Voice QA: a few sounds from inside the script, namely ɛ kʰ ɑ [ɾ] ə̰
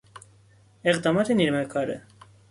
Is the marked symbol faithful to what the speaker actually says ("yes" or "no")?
yes